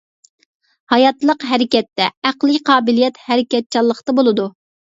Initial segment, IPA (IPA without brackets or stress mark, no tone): h